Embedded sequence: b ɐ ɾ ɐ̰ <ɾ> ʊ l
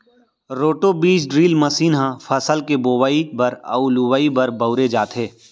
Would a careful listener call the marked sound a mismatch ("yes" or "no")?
yes